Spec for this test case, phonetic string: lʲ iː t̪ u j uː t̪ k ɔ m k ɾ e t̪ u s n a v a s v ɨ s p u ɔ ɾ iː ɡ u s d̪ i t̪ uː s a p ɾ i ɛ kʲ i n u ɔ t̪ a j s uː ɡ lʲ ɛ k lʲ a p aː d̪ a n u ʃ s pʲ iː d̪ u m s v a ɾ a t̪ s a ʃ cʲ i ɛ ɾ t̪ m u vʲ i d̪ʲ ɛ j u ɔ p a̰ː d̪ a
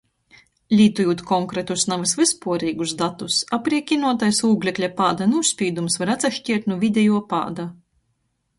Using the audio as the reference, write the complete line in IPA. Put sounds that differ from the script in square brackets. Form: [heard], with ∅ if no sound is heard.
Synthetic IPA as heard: lʲ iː t̪ u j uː t̪ k ɔ [ŋ] k ɾ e t̪ u s n a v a s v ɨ s p u ɔ ɾ iː ɡ u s d̪ [a] t̪ [u] s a p ɾ i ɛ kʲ i n u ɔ t̪ a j s uː ɡ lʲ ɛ k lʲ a p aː d̪ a n u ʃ s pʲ iː d̪ u m s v a ɾ a t̪ s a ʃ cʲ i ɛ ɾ t̪ [n] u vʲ i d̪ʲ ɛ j u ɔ p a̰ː d̪ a